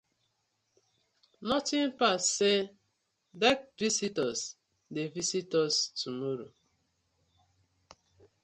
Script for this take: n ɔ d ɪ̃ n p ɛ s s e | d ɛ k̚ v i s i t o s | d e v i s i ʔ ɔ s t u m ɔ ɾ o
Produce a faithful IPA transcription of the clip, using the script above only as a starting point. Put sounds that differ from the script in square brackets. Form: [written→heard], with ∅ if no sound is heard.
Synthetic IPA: n ɔ [d→t] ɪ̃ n p [ɛ→a] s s e | d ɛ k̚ v i s i t [o→ɔ] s | d e v i s i [ʔ→t] ɔ s t u m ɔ ɾ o

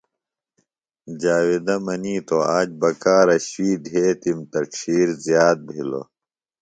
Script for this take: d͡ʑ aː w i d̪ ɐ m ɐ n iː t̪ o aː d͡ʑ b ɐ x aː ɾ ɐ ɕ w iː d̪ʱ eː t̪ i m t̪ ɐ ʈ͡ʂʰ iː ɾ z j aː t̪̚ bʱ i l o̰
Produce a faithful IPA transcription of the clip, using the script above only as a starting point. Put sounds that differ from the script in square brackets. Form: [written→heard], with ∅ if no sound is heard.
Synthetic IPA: d͡ʑ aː w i d̪ ɐ m ɐ n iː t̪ o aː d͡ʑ b ɐ [x→k] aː ɾ ɐ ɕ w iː d̪ʱ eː t̪ i m t̪ ɐ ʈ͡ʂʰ iː ɾ z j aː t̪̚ bʱ i l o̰

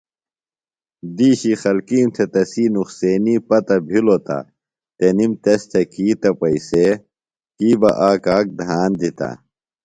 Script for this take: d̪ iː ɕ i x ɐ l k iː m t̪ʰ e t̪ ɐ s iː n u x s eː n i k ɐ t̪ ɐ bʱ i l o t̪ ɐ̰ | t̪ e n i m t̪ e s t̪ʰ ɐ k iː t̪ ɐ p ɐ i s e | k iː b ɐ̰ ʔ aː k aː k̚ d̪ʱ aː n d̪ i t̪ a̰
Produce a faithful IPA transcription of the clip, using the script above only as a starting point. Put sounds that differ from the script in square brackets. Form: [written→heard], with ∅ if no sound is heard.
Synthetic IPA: d̪ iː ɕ i x ɐ l k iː m t̪ʰ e t̪ ɐ s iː n u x s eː n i [k→p] ɐ t̪ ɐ bʱ i l o t̪ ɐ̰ | t̪ e n i m t̪ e s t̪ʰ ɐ k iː t̪ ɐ p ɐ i s e | k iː b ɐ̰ ʔ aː k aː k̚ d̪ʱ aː n d̪ i t̪ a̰

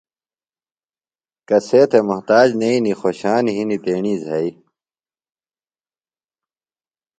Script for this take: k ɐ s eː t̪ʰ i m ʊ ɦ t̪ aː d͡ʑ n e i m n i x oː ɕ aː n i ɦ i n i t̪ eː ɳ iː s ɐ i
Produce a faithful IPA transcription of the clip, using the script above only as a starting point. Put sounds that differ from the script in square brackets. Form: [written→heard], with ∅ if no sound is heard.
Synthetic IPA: k ɐ s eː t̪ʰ [i→e] m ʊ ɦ t̪ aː d͡ʑ n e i [m→∅] n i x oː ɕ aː n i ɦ i n i t̪ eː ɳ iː [s→z] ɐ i

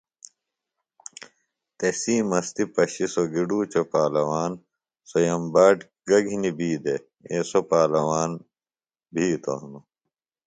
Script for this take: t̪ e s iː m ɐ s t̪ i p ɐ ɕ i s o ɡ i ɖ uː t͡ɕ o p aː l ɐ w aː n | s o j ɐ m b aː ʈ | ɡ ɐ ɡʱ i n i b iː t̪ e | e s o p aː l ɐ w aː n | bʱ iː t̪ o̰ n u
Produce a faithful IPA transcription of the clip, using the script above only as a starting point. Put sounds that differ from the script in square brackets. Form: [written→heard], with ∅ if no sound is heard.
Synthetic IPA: t̪ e s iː m ɐ s t̪ i p ɐ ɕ i s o ɡ i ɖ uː t͡ɕ o p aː l ɐ w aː n | s o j ɐ m b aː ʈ | ɡ ɐ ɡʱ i n i b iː [t̪→d̪] e | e s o p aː l ɐ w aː n | bʱ iː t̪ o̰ n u

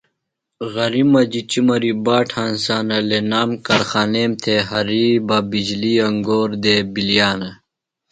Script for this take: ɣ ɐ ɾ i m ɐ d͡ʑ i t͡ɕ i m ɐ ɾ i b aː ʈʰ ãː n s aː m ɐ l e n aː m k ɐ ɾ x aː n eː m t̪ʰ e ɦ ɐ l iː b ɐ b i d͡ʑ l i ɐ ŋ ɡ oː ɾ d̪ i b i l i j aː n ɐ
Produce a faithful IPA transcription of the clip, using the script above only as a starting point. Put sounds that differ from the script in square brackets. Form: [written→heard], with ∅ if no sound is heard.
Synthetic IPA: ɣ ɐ ɾ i m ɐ d͡ʑ i t͡ɕ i m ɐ ɾ i b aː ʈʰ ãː n s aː [m→n] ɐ l e n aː m k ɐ ɾ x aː n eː m t̪ʰ e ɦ ɐ [l→ɾ] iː b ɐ b i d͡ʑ l i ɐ ŋ ɡ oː ɾ d̪ [i→e] b i l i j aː n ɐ

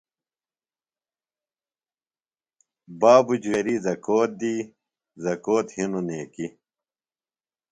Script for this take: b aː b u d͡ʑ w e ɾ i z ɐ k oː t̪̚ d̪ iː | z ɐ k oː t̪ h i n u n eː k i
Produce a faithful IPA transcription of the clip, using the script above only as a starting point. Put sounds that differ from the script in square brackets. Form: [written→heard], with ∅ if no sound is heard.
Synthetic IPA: b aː b u d͡ʑ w e ɾ i z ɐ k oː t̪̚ d̪ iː | z ɐ k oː t̪ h i n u n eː k i

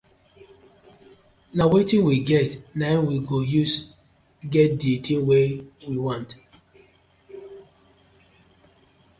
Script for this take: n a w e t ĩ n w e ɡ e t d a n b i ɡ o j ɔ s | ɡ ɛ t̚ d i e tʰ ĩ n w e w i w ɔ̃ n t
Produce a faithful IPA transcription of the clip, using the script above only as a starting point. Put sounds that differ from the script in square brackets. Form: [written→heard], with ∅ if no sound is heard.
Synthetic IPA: n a w e t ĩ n w [e→i] ɡ [e→ɛ] t [d→n] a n [b→w] i ɡ o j [ɔ→u] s | ɡ ɛ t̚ d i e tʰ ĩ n w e w i w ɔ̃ n t

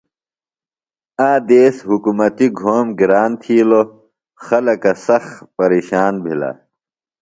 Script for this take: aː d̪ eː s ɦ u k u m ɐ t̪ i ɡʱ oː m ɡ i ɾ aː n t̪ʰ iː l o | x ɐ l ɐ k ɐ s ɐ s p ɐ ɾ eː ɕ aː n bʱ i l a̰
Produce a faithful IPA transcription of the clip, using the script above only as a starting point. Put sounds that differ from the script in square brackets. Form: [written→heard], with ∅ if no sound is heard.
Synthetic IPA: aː d̪ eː s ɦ u k u m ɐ t̪ i ɡʱ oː m ɡ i ɾ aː n t̪ʰ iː l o | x ɐ l ɐ k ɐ s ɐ [s→x] p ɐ ɾ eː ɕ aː n bʱ i l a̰

